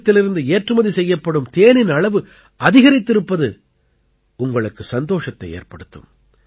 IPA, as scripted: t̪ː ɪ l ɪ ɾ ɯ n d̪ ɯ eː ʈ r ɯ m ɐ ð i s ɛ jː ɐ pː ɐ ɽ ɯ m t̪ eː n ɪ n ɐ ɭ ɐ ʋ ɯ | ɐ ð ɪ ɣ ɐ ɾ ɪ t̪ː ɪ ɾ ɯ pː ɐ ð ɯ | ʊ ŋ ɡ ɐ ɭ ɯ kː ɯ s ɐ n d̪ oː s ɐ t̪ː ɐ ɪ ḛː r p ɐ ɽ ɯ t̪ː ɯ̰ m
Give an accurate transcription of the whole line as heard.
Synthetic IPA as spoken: t̪ː ɪ l ɪ ɾ ɯ n d̪ ɯ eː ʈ r ɯ m ɐ ð i s ɛ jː ɐ pː ɐ ɽ ɯ m t̪ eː n ɪ n ɐ ɭ ɐ ʋ ɯ | ɐ ð ɪ ɣ ɐ ɾ ɪ t̪ː ɪ ɾ ɯ pː ɐ ð ɯ | ʊ ŋ ɡ ɐ ɭ ɯ kː ɯ s ɐ n d̪ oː ʂ ɐ t̪ː ɐ ɪ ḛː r p ɐ ɽ ɯ t̪ː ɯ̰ m